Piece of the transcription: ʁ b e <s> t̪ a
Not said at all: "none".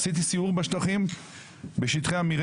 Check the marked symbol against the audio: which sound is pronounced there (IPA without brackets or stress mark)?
ʃ